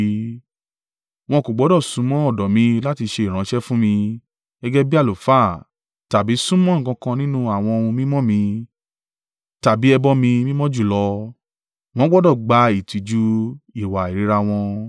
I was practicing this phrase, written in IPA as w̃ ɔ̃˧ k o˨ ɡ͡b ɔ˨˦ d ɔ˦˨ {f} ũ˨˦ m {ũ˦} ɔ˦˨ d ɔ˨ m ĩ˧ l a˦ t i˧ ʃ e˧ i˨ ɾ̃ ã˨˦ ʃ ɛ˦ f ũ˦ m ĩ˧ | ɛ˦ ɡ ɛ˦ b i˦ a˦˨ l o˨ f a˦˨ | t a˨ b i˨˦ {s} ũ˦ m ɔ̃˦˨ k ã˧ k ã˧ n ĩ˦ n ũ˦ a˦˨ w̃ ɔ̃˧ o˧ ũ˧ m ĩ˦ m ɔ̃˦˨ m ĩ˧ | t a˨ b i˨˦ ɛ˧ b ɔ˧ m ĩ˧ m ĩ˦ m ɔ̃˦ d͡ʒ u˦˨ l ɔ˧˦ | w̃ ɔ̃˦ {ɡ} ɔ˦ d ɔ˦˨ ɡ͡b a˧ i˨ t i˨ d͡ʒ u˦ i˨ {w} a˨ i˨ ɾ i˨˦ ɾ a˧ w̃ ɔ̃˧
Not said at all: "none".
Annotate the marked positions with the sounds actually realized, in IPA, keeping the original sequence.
s, ɔ̃˦, s, ɡ͡b, w

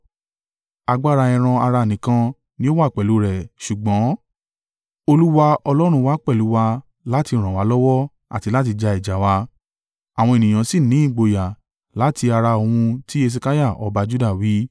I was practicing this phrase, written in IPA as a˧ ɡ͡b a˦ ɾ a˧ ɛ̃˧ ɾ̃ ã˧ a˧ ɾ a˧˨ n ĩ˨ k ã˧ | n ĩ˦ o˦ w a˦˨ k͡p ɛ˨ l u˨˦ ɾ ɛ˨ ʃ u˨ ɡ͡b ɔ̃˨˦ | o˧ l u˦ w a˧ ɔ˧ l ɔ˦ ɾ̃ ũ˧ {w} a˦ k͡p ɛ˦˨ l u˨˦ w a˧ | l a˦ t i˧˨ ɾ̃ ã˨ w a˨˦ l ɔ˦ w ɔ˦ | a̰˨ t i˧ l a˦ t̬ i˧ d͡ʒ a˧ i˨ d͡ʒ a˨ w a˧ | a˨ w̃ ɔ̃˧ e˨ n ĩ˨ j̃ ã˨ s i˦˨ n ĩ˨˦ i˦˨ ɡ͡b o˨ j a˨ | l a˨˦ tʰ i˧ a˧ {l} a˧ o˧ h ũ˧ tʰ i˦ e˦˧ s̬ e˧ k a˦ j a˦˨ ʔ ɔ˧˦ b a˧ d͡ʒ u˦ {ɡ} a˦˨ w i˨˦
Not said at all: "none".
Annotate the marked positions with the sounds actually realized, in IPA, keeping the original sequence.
w, ɾ, d

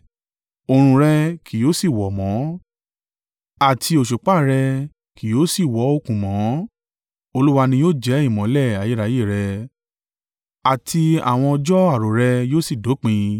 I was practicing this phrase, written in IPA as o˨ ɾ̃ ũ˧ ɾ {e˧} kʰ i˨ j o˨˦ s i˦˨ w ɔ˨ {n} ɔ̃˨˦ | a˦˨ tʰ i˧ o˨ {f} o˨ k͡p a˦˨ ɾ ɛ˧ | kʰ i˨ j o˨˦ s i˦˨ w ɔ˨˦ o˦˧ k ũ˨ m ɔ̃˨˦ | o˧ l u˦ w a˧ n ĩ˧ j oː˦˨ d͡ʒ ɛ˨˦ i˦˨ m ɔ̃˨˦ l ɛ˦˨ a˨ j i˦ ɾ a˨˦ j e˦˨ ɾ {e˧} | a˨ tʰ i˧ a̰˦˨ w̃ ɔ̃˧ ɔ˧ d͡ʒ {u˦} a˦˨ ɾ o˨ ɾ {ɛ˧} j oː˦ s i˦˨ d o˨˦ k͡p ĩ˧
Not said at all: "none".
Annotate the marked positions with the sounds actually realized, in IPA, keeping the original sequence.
ɛ˧, m, ʃ, ɛ˧, ɔ˦, ɛ˧

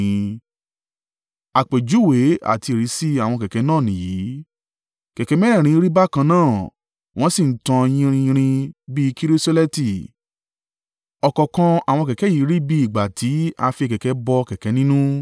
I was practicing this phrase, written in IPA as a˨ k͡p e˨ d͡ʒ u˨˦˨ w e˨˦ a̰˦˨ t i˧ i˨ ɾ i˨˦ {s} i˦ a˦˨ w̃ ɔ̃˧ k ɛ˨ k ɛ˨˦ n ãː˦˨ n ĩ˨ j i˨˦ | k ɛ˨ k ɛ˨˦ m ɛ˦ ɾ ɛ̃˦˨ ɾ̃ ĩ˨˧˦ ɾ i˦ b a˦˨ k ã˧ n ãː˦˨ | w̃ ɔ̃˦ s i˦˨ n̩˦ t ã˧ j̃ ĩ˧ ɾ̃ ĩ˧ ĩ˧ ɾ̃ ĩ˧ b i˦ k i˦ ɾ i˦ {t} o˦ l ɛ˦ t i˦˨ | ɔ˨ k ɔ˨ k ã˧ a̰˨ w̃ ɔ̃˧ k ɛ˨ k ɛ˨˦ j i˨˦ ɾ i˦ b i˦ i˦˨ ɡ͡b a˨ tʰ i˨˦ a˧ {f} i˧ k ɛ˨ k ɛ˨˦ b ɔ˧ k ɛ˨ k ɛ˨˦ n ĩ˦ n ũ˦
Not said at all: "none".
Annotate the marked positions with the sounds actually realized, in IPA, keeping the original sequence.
s, s, f

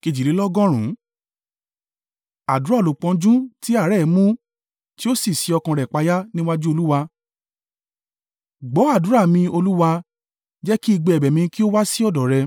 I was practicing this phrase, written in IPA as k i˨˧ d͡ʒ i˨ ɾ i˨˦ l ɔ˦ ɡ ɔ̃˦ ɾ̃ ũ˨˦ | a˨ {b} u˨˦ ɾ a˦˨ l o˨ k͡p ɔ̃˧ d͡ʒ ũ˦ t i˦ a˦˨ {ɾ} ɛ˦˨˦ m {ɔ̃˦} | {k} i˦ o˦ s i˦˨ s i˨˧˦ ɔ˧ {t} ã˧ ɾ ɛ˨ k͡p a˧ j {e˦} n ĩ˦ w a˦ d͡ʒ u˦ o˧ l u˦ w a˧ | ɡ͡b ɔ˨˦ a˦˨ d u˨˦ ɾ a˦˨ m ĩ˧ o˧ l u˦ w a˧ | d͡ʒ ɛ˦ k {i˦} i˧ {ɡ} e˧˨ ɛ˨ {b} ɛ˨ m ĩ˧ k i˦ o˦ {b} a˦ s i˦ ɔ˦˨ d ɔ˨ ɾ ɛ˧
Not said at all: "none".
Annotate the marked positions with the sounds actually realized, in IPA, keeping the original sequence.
d, ɾ, ũ˦, t, k, a˦, i˦, ɡ͡b, b, w

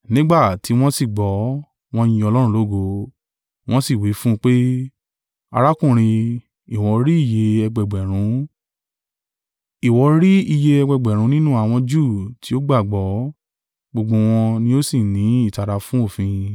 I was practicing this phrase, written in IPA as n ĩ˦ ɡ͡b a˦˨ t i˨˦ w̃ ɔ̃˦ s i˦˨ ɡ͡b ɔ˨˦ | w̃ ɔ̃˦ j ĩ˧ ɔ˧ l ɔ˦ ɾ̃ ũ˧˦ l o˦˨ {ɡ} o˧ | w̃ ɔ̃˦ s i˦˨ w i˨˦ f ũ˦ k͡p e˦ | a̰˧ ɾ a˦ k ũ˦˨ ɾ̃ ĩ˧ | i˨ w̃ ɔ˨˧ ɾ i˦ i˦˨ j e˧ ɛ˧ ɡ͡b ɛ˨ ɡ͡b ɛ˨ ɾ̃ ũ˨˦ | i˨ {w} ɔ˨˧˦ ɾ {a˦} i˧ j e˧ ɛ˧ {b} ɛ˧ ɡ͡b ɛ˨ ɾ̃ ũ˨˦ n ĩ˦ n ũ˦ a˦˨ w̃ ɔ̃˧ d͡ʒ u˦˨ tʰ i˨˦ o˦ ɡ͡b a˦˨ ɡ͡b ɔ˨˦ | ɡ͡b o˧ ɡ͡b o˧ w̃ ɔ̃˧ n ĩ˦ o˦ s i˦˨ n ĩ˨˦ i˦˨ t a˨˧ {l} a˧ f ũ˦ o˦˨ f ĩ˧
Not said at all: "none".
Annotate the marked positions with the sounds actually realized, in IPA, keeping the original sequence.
ɡ, w, i˦, ɡ͡b, ɾ

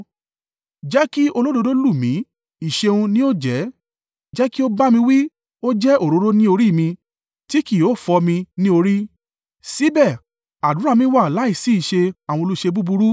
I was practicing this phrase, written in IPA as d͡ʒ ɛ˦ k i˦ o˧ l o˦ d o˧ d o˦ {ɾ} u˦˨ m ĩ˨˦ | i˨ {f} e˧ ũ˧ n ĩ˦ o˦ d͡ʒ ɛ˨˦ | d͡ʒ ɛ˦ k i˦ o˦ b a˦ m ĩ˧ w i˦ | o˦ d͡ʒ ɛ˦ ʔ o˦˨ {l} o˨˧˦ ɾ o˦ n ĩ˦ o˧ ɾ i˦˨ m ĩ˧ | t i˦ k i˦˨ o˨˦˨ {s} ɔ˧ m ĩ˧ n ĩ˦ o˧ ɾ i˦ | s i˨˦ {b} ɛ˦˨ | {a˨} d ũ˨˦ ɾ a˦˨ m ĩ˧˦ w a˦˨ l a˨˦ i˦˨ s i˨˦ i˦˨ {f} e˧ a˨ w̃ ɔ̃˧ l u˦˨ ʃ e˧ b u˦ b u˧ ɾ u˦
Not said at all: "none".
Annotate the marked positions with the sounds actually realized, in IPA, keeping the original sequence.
l, ʃ, ɾ, f, b, a˨, ʃ

